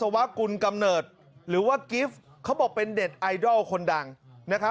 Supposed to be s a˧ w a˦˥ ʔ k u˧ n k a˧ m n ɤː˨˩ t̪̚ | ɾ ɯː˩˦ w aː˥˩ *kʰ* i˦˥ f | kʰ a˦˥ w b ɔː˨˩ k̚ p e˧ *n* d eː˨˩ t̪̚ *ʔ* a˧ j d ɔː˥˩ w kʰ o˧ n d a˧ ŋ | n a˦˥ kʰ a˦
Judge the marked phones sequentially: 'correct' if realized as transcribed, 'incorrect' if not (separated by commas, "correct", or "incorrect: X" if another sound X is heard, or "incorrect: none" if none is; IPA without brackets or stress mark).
incorrect: k, correct, correct